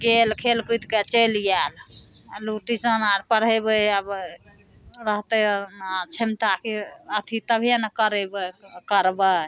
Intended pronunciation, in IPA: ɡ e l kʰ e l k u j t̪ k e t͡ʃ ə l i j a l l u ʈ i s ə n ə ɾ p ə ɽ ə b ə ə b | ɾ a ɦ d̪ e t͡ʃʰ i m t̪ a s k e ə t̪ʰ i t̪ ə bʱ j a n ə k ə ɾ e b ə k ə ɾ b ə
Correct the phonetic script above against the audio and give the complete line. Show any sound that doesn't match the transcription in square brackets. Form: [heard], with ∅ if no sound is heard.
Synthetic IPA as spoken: ɡ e l kʰ e l k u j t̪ k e t͡ʃ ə l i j a l l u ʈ i s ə n [a] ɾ p ə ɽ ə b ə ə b | ɾ [ə] ɦ [t̪] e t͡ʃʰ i m t̪ a [∅] k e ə t̪ʰ i t̪ ə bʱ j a n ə k ə ɾ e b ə k ə ɾ b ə

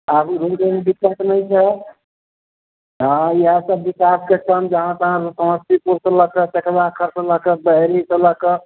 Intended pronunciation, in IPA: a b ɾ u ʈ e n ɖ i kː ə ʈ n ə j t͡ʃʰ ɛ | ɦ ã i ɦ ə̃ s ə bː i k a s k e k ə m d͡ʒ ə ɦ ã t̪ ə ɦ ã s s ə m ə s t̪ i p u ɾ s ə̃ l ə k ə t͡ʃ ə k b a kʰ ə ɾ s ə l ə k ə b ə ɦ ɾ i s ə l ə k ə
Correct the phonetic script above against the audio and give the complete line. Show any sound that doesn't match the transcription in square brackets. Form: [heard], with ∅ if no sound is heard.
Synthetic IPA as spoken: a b ɾ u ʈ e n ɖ i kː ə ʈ n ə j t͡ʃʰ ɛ | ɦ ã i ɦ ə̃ s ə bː i k a s k e k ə m d͡ʒ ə ɦ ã t̪ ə ɦ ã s s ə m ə s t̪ i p u ɾ s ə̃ l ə k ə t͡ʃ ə k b a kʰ ə ɾ s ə l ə k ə b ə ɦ ɾ i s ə l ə k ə

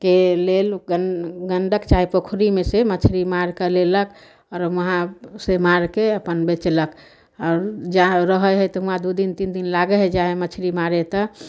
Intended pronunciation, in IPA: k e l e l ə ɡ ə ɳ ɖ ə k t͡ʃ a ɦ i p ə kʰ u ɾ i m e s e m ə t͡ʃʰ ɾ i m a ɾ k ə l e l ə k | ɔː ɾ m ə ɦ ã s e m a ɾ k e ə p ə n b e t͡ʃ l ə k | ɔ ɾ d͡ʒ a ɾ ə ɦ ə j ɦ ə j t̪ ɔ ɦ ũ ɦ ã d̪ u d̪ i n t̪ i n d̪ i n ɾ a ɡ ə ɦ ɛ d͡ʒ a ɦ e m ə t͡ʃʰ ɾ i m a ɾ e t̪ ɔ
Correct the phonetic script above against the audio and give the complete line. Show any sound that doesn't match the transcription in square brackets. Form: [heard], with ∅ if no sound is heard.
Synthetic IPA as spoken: k e l e l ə ɡ ə ɳ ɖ ə k t͡ʃ a ɦ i p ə kʰ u ɾ i m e s e m ə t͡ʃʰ ɾ i m a ɾ k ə l e l ə k | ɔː ɾ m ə ɦ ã s e m a ɾ k e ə p ə n b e t͡ʃ l ə k | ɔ ɾ d͡ʒ a ɾ ə ɦ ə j ɦ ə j t̪ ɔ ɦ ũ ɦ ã d̪ u d̪ i n t̪ i n d̪ i n [l] a ɡ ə ɦ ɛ d͡ʒ a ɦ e m ə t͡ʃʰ ɾ i m a ɾ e t̪ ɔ

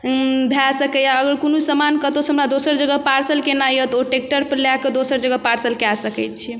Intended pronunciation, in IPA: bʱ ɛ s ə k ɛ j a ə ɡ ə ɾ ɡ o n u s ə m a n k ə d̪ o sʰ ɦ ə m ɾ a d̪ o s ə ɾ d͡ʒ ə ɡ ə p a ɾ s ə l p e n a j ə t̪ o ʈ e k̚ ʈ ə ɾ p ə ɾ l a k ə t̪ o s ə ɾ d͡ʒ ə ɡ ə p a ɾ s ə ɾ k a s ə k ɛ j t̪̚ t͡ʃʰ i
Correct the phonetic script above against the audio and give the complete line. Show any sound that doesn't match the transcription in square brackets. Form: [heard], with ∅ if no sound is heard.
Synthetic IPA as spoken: bʱ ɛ s ə k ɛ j a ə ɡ ə ɾ [k] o n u s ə m a n k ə [t̪] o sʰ ɦ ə m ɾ a d̪ o s ə ɾ d͡ʒ ə ɡ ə p a ɾ s ə l [k] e n a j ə t̪ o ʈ e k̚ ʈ ə ɾ p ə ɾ l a k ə [d̪] o s ə ɾ d͡ʒ ə ɡ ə p a ɾ s ə [l] k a s ə k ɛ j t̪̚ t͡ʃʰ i

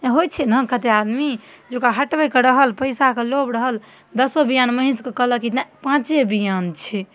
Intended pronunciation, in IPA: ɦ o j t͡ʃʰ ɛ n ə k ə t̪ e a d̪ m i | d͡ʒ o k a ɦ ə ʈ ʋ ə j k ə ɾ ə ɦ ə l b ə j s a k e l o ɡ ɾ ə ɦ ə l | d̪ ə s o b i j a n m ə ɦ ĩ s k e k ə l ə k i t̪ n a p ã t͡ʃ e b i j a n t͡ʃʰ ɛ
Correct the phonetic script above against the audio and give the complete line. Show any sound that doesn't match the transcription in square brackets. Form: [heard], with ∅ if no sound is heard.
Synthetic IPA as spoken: ɦ o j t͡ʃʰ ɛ n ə k ə t̪ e a d̪ m i | d͡ʒ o k a ɦ ə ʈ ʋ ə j k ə ɾ ə ɦ ə l [p] ə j s a k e l o [b] ɾ ə ɦ ə l | d̪ ə s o b i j a n m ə ɦ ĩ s k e k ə l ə k i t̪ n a p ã t͡ʃ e b i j a n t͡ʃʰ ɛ

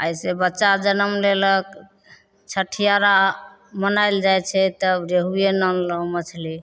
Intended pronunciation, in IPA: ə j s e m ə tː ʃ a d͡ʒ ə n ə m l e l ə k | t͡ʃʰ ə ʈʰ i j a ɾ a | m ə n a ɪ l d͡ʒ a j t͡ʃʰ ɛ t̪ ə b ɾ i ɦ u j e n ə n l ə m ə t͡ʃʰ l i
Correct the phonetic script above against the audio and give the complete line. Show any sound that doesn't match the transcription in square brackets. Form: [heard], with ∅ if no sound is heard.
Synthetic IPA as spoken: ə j s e [b] ə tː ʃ a d͡ʒ ə n ə m l e l ə k | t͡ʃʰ ə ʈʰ i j a ɾ a | m ə n a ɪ l d͡ʒ a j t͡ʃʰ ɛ t̪ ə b ɾ [e] ɦ u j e n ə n l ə m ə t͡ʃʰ l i

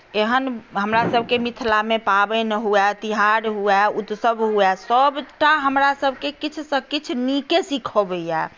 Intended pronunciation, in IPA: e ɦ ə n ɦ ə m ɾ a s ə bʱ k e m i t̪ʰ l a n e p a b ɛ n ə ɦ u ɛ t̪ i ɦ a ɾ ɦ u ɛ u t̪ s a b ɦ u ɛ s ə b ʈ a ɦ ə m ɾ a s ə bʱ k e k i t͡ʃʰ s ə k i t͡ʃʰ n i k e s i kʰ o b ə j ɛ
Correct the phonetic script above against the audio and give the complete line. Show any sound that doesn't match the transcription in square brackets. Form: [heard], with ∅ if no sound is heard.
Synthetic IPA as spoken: e ɦ ə n ɦ ə m ɾ a s ə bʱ k e m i t̪ʰ l a [m] e p a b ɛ n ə ɦ u ɛ t̪ i ɦ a ɾ ɦ u ɛ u t̪ s [ə] b ɦ u ɛ s ə b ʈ a ɦ ə m ɾ a s ə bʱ k e k i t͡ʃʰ s ə k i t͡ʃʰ n i k e s i kʰ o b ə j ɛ

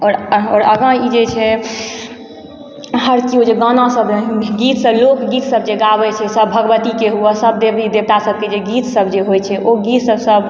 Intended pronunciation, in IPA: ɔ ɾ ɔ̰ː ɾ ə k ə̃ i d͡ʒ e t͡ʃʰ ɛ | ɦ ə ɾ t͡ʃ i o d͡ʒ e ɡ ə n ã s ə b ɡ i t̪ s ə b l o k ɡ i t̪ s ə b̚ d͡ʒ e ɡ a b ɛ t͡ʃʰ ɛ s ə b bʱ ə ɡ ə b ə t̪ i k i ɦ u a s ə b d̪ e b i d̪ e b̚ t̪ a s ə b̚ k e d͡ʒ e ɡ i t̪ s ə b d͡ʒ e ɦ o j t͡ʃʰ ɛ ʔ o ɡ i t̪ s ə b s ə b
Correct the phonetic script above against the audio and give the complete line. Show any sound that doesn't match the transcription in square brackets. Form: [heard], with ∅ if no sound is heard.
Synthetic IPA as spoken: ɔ ɾ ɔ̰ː ɾ ə [ɡ] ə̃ i d͡ʒ e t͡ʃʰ ɛ | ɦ ə ɾ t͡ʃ i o d͡ʒ e ɡ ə n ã s ə b ɡ i t̪ s ə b l o k ɡ i t̪ s ə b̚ d͡ʒ e ɡ a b ɛ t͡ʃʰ ɛ s ə b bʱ ə ɡ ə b ə t̪ i k [e] ɦ u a s ə b d̪ e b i d̪ e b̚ t̪ a s ə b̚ k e d͡ʒ e ɡ i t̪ s ə b d͡ʒ e ɦ o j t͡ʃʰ ɛ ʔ o ɡ i t̪ s ə b s ə b

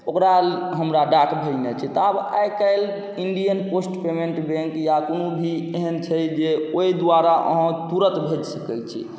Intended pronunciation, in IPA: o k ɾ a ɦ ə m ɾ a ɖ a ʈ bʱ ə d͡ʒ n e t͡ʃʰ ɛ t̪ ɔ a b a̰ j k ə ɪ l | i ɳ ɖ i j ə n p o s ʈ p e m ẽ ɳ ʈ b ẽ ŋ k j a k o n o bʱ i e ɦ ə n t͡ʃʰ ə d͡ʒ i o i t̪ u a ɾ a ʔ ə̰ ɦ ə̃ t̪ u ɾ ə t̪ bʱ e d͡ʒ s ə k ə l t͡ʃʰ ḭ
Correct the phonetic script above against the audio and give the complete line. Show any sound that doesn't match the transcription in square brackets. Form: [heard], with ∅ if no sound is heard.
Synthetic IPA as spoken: o k ɾ a ɦ ə m ɾ a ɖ a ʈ bʱ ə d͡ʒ n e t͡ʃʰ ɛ t̪ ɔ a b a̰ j k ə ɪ l | i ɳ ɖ i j ə n p o s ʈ p e m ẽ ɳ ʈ b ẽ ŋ k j a k o n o bʱ i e ɦ ə n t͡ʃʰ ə d͡ʒ [e] o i [d̪] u a ɾ a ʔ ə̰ ɦ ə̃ t̪ u ɾ ə t̪ bʱ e d͡ʒ s ə k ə l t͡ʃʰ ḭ

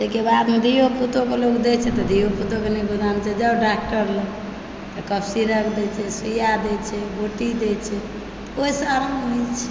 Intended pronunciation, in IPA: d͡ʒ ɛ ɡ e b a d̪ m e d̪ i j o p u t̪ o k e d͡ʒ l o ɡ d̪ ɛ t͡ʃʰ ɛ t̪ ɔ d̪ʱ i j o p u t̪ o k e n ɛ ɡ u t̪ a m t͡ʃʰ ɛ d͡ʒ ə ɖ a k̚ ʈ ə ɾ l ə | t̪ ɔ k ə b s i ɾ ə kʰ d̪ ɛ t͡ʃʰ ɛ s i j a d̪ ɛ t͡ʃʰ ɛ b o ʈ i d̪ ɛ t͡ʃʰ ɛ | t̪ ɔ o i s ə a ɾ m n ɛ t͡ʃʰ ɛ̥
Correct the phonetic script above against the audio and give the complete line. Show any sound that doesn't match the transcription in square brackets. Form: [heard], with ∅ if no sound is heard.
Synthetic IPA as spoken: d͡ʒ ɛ [k] e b a d̪ m e d̪ i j o p u t̪ o k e [∅] l o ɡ d̪ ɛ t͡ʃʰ ɛ t̪ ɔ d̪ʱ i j o p u t̪ o k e n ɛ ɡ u [d̪] a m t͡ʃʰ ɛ d͡ʒ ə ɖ a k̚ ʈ ə ɾ l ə | t̪ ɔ k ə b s i ɾ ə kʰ d̪ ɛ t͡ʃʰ ɛ s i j a d̪ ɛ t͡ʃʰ ɛ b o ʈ i d̪ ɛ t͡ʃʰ ɛ | t̪ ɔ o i s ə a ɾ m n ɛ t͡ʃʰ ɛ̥

